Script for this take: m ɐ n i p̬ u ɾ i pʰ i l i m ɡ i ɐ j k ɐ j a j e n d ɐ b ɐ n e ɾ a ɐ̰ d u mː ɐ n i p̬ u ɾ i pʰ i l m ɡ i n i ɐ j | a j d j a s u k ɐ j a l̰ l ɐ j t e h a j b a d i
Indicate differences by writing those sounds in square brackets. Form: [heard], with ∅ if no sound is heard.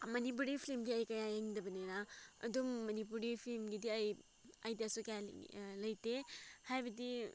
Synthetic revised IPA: m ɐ n i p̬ u ɾ i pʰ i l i m ɡ i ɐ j k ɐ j a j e [ŋ] d ɐ b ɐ n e ɾ a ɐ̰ d u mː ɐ n i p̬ u ɾ i pʰ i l m ɡ i [d] i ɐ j | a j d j a s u k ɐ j a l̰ l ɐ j t e h a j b [ɐ] d i